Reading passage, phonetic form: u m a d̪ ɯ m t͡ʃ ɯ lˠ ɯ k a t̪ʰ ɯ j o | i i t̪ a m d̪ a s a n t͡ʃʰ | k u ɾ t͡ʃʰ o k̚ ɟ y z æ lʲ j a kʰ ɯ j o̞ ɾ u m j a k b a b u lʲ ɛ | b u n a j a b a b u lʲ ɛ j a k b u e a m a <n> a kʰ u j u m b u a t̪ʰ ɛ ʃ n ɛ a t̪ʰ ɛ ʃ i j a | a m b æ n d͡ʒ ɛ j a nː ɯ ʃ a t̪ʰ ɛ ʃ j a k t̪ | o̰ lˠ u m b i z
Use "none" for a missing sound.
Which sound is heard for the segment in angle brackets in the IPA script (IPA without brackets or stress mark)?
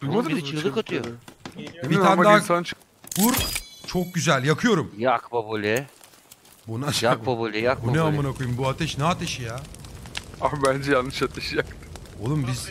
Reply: n